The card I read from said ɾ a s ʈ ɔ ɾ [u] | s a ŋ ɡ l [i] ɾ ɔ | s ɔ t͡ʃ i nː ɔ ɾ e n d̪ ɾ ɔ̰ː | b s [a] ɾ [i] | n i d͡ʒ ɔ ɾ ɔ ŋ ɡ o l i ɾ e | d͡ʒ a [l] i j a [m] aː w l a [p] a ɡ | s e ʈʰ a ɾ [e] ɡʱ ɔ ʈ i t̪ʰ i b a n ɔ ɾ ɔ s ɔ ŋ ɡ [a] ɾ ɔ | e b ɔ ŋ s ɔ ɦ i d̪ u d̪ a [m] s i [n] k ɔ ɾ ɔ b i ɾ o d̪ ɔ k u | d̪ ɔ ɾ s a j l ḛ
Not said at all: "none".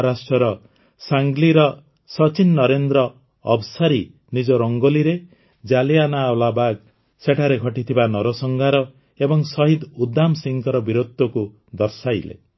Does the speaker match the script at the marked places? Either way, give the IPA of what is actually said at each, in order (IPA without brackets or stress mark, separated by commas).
ɔ, i, a, i, l, n, b, e, a, m, ŋ